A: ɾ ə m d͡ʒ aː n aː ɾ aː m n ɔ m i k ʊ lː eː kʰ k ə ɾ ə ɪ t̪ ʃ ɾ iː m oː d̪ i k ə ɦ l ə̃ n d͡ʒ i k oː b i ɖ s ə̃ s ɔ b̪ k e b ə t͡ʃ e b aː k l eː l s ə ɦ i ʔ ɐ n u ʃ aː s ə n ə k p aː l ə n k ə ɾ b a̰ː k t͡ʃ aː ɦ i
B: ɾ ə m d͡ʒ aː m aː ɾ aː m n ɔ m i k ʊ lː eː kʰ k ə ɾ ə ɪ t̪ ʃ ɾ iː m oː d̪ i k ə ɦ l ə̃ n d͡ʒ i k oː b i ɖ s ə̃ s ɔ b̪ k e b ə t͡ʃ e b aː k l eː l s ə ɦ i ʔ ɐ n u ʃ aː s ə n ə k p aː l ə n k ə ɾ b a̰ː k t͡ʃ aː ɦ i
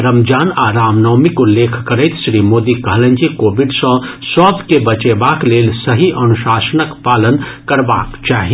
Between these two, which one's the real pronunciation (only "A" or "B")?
A